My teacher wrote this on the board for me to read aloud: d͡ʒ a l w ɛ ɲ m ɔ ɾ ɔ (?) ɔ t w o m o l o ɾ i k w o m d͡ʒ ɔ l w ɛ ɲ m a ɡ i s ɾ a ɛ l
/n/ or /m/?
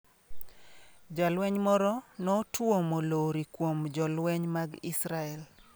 n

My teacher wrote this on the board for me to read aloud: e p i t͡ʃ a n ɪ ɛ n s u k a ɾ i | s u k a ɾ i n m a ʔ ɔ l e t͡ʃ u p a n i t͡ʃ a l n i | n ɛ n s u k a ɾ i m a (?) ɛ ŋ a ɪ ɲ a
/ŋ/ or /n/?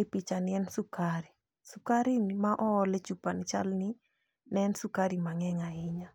ŋ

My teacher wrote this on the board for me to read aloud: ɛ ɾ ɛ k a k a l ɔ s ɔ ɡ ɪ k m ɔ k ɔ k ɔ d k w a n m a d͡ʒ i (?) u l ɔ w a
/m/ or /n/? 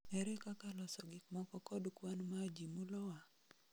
m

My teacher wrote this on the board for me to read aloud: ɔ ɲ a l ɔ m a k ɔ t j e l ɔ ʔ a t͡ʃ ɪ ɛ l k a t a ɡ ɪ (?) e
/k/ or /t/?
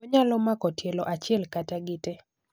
t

